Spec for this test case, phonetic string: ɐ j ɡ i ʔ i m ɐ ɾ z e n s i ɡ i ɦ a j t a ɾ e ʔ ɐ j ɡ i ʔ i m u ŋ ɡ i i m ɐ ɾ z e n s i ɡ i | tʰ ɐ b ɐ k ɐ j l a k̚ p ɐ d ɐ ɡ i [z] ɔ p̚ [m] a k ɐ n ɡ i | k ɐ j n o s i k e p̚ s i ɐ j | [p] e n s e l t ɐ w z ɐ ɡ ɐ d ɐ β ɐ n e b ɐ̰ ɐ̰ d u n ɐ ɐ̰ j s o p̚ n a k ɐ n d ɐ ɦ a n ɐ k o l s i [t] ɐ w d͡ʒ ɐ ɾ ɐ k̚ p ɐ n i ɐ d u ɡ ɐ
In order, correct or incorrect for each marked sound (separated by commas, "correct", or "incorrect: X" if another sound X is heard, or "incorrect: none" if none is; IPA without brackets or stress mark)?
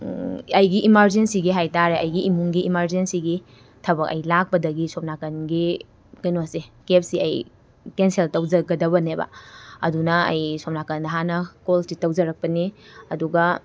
incorrect: s, incorrect: n, incorrect: k, correct